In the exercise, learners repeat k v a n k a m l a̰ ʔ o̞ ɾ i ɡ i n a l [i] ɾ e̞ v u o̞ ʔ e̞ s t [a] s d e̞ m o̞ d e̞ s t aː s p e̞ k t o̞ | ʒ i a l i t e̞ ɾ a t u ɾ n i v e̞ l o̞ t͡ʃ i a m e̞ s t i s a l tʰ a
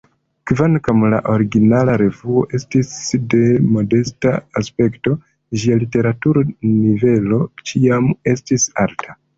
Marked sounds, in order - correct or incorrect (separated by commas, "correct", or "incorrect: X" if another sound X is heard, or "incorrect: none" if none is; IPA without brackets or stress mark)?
incorrect: a, incorrect: i